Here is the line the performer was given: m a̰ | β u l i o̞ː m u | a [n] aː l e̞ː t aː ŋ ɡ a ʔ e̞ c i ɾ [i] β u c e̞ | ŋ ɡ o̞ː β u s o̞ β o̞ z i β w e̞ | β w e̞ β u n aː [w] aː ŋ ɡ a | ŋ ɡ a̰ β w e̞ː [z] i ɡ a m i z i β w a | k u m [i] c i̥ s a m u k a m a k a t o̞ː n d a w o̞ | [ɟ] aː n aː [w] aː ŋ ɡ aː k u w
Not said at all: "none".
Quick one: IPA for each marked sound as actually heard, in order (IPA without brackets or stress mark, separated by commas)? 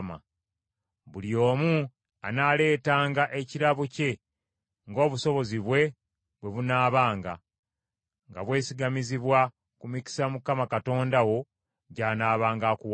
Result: n, a, β, s, i, ɟ, β